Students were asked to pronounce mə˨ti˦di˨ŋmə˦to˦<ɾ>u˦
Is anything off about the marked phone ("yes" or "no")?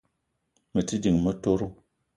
no